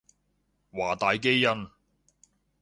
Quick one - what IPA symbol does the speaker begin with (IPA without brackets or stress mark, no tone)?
w